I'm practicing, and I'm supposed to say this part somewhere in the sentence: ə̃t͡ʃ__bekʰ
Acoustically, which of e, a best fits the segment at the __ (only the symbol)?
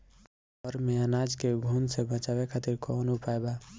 a